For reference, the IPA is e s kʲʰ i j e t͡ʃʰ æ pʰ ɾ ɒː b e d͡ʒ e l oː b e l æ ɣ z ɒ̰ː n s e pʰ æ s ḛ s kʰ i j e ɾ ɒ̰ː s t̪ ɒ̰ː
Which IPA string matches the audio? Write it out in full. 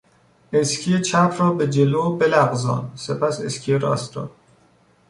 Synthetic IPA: e s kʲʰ i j e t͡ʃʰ æ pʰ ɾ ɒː b e d͡ʒ e l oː b e l æ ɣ z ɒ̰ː n s e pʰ æ s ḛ s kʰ i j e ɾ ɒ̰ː s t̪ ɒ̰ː